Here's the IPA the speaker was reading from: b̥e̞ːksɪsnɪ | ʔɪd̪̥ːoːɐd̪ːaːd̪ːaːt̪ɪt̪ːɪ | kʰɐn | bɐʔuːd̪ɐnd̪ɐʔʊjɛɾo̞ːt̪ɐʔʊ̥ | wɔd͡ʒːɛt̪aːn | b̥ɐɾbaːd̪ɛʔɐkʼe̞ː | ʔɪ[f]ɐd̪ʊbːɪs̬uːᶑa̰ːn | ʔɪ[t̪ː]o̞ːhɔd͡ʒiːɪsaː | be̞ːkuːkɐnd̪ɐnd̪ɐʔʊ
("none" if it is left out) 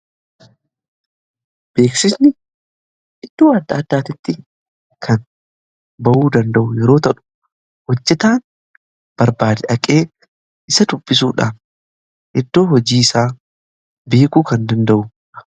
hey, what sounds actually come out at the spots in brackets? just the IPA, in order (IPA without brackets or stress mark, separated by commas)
s, d̪ː